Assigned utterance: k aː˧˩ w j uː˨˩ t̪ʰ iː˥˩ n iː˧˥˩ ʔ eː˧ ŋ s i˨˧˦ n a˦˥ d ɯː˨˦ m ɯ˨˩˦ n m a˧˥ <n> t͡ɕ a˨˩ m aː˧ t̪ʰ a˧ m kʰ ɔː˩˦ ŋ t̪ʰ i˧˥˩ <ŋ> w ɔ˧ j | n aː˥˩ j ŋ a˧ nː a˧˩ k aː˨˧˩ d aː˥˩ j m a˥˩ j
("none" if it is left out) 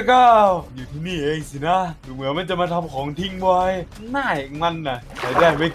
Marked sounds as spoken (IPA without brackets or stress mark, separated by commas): n, ŋ